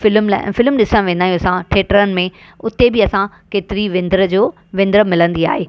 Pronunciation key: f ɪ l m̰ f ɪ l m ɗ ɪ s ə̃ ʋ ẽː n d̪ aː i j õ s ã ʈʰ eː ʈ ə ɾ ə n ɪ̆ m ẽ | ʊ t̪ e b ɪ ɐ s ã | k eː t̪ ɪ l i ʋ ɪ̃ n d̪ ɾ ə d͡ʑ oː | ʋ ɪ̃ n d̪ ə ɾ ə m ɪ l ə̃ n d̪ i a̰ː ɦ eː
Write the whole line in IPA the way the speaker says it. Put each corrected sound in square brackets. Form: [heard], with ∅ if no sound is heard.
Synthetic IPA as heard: f ɪ l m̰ f ɪ l m ɗ ɪ s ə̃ ʋ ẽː n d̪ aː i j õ s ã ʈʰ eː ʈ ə ɾ ə n ɪ̆ m ẽ | ʊ t̪ e b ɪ ɐ s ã | k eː t̪ ɪ [ɾ] i ʋ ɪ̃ n d̪ ɾ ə d͡ʑ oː | ʋ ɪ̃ n d̪ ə ɾ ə m ɪ l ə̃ n d̪ i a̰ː ɦ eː